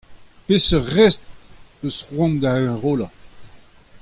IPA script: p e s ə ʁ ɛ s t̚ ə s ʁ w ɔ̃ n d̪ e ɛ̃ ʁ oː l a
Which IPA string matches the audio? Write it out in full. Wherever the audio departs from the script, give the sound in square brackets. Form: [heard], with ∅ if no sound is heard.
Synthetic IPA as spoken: p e s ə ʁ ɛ s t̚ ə s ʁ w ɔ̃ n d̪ [a] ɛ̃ ʁ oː l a